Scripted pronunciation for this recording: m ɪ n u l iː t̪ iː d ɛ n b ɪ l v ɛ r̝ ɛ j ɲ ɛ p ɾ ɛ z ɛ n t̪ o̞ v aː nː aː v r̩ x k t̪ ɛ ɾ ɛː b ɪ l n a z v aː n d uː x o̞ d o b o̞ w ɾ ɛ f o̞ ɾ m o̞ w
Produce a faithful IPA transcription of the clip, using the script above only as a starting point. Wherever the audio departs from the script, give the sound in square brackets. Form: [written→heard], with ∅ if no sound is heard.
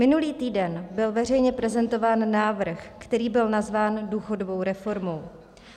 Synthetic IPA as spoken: m ɪ n u l iː t̪ iː d ɛ n b ɪ l v ɛ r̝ ɛ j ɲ ɛ p ɾ ɛ z ɛ n t̪ o̞ v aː nː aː v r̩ x k t̪ ɛ ɾ [ɛː→iː] b ɪ l n a z v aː n d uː x o̞ d o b o̞ w ɾ ɛ f o̞ ɾ m o̞ w